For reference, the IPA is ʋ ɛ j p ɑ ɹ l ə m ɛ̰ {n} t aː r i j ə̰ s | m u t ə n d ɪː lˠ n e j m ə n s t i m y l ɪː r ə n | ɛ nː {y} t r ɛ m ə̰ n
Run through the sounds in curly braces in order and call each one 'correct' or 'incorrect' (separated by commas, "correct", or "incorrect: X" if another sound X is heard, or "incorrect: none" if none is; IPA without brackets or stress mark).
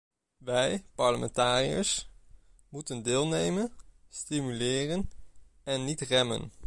correct, incorrect: i